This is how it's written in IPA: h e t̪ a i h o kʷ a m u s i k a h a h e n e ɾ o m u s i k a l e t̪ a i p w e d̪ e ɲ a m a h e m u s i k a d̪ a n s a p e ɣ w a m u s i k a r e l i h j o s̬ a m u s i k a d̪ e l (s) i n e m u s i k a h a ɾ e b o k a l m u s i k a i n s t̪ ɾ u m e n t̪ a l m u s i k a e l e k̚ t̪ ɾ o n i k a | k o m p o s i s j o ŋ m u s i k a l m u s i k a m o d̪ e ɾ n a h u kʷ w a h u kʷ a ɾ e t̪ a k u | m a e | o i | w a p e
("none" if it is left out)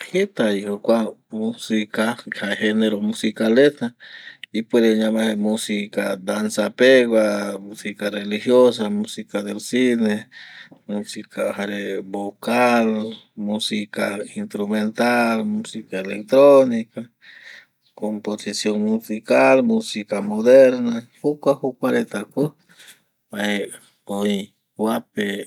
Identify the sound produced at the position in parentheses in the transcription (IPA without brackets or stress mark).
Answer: s